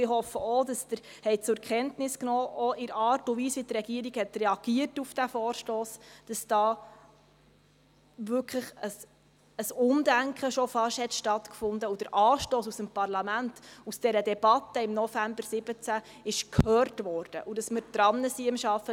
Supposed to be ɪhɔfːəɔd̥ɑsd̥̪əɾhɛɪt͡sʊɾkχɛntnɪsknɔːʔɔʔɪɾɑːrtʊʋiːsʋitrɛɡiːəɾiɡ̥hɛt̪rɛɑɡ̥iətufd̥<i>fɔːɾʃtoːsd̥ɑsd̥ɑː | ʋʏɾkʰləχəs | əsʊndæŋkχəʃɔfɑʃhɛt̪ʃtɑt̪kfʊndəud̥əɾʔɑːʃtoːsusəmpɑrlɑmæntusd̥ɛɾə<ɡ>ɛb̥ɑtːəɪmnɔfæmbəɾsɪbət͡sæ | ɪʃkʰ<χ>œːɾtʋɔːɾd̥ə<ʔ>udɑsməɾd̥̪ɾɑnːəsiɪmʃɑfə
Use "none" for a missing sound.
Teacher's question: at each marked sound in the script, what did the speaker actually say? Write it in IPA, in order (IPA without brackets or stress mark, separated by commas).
æ, d, h, ʔ